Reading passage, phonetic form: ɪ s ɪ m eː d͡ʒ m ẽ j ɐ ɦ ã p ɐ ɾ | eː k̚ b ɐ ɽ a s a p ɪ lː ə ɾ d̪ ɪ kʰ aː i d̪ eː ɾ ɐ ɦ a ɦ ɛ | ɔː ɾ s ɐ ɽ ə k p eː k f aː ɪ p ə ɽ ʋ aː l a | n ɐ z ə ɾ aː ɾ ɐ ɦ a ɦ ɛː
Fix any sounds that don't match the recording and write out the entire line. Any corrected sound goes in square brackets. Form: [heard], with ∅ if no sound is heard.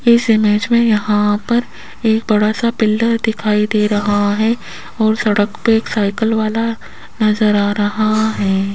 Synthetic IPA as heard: ɪ s ɪ m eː d͡ʒ m ẽ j ɐ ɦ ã p ɐ ɾ | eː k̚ b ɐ ɽ a s a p ɪ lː ə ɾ d̪ ɪ kʰ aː i d̪ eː ɾ ɐ ɦ a ɦ ɛ | ɔː ɾ s ɐ ɽ ə k p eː k [s] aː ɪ [k] ə [l] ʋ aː l a | n ɐ z ə ɾ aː ɾ ɐ ɦ a ɦ ɛː

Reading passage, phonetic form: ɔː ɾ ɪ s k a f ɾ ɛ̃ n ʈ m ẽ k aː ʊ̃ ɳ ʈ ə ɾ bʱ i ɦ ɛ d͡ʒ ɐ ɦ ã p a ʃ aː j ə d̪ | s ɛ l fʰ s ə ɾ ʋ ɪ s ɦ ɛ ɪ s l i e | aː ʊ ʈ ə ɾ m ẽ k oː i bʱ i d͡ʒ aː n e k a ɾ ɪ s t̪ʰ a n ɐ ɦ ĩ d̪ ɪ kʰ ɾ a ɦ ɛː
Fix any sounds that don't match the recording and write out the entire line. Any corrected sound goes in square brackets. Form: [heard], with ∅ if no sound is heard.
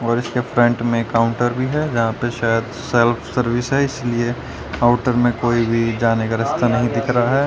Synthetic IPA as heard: ɔː ɾ ɪ s k [e] f ɾ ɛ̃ [ɳ] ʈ m ẽ k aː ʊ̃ ɳ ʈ ə ɾ bʱ i ɦ ɛ d͡ʒ ɐ ɦ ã p [e] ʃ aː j ə d̪ | s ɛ l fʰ s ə ɾ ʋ ɪ s ɦ ɛ ɪ s l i e | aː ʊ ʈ ə ɾ m ẽ k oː i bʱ i d͡ʒ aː n e k a ɾ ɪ s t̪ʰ a n ɐ ɦ ĩ d̪ ɪ kʰ ɾ a ɦ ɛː

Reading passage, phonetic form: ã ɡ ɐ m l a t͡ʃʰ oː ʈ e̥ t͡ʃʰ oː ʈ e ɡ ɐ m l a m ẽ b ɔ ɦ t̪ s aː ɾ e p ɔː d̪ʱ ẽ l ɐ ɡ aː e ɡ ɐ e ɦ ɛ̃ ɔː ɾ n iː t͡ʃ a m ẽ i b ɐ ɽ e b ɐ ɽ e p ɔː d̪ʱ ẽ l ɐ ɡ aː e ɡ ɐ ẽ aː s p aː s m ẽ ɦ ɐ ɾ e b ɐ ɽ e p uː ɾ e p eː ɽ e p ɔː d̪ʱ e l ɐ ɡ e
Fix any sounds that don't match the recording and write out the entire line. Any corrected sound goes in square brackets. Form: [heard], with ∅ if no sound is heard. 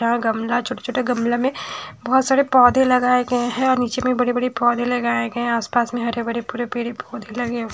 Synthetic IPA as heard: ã ɡ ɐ m l a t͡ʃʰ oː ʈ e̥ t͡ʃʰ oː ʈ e ɡ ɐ m l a m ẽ b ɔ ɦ t̪ s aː ɾ e p ɔː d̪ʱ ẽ l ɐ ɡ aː e ɡ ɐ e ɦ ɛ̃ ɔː ɾ n iː t͡ʃ [e] m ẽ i b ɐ ɽ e b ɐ ɽ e p ɔː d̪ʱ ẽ l ɐ ɡ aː e ɡ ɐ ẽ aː s p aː s m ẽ ɦ ɐ ɾ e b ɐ ɽ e p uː ɾ e p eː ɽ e p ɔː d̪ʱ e l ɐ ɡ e

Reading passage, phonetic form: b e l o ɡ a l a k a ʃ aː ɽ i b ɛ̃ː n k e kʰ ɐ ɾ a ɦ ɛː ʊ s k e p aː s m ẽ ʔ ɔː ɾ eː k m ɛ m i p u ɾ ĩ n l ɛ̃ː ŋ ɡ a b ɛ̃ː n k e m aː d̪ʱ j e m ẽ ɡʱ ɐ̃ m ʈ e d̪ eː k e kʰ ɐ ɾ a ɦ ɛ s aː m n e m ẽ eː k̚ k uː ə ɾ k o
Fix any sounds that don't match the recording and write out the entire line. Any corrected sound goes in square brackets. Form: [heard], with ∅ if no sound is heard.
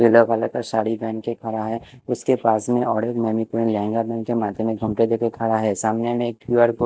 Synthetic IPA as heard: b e l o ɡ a l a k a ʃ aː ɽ i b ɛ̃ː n k e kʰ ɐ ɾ a ɦ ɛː ʊ s k e p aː s m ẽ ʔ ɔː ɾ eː k m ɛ m i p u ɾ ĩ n l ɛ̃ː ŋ ɡ a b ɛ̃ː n k e m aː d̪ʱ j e m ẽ ɡʱ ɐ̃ m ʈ e d̪ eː k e kʰ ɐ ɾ a ɦ ɛ s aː m n e m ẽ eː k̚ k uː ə ɾ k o

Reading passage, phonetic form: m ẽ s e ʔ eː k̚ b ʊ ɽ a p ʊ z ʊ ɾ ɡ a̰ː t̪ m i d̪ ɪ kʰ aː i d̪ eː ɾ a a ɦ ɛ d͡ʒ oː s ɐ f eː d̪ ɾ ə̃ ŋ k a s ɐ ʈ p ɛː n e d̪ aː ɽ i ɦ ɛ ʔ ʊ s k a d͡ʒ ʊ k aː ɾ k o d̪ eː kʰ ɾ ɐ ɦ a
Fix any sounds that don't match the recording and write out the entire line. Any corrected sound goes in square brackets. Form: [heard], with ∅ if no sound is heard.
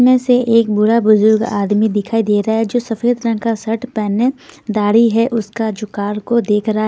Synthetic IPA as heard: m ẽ s e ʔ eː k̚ b ʊ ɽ a [b] ʊ z ʊ ɾ ɡ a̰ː [d̪] m i d̪ ɪ kʰ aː i d̪ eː ɾ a a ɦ ɛ d͡ʒ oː s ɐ f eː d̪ ɾ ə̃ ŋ k a s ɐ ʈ p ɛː n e d̪ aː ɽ i ɦ ɛ ʔ ʊ s k a d͡ʒ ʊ k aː ɾ k o d̪ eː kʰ ɾ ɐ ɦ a

